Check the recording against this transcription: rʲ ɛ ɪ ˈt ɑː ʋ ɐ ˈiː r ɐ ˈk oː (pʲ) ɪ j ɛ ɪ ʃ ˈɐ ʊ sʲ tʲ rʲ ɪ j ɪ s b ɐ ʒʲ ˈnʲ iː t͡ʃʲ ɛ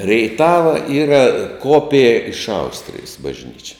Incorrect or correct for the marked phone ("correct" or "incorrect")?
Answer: correct